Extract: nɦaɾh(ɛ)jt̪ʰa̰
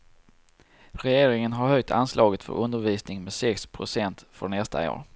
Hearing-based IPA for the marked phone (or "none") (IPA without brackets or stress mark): œ